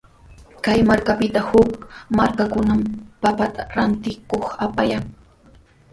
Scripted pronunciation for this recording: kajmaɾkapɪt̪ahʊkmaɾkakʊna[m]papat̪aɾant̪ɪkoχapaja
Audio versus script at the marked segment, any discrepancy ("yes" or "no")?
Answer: no